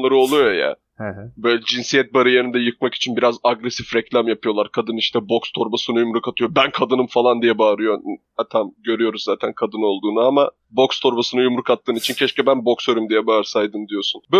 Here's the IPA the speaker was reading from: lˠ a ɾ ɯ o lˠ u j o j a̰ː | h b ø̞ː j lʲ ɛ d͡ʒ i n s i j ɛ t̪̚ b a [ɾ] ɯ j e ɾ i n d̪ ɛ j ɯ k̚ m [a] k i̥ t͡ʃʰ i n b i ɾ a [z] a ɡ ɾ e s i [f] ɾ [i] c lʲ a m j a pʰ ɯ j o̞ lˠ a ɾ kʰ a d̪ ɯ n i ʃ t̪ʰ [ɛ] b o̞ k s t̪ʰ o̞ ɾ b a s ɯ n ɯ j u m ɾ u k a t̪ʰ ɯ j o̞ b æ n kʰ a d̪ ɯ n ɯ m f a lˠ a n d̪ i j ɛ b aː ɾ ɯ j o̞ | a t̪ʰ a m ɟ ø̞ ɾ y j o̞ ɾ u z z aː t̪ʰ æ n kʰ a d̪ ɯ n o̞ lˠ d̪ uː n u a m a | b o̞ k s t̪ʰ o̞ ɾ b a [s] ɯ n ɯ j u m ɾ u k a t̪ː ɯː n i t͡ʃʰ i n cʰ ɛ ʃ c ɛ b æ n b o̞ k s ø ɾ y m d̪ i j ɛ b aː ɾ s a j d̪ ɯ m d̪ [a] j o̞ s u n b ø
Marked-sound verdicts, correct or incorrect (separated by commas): correct, correct, correct, correct, incorrect, correct, correct, incorrect